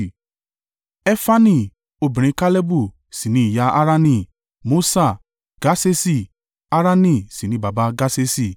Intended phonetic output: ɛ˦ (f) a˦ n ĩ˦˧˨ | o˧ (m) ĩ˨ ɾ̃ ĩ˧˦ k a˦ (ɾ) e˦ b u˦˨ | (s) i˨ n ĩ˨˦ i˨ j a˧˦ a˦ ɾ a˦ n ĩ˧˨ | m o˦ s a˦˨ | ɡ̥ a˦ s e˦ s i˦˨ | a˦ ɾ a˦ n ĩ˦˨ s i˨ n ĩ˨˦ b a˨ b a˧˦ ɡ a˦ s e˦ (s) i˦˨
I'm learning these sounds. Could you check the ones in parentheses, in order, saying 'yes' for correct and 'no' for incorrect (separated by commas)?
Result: yes, no, no, yes, yes